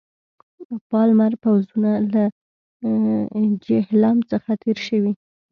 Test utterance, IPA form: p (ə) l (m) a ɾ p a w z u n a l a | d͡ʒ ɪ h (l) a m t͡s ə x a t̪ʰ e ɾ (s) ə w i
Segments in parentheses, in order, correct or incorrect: incorrect: ɑ, correct, correct, incorrect: ʃ

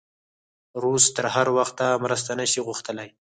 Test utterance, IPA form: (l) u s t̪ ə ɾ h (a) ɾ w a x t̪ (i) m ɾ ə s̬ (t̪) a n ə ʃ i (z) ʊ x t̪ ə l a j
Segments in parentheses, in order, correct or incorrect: incorrect: ɾ, correct, incorrect: a, correct, incorrect: ɣ

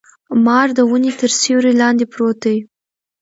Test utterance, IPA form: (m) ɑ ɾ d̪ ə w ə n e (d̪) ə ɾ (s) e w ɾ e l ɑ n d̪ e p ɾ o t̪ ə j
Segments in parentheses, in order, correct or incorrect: correct, incorrect: t̪, correct

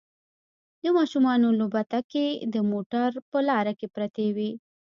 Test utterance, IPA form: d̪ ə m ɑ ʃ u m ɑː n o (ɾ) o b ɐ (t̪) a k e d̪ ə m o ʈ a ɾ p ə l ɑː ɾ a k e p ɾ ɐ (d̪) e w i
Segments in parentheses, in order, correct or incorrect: incorrect: l, correct, incorrect: t̪

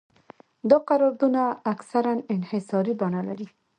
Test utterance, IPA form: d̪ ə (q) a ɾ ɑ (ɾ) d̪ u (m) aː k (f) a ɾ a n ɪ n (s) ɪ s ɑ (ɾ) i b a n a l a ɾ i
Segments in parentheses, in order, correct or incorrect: correct, correct, incorrect: n, incorrect: s, incorrect: h, correct

